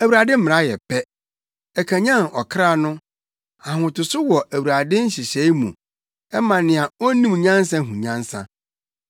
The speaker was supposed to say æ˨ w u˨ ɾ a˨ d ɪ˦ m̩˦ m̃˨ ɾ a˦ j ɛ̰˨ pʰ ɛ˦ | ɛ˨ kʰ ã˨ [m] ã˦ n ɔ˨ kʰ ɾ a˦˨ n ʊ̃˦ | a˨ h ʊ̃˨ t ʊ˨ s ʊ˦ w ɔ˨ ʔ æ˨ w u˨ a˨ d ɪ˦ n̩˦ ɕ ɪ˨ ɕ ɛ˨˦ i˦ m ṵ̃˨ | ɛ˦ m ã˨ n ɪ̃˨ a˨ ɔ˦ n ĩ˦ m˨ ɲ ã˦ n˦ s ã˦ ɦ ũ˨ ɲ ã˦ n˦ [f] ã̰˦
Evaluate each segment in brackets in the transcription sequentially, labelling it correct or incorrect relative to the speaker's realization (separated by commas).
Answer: incorrect, incorrect